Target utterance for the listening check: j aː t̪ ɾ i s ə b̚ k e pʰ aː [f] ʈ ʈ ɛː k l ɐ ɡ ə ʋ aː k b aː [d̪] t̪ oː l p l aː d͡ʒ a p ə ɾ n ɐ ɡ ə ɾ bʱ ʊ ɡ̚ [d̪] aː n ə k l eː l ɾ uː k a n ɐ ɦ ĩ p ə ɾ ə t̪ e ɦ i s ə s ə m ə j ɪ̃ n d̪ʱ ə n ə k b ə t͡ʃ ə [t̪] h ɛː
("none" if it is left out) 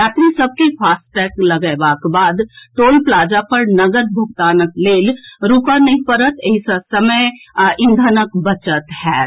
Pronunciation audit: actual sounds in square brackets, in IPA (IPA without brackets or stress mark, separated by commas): s, d̪, t̪, t̪